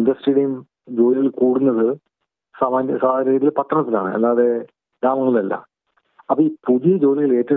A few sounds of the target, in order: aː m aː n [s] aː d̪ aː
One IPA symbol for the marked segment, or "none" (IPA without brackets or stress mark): s